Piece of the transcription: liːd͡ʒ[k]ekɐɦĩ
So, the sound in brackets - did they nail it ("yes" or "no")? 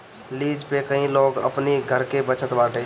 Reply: no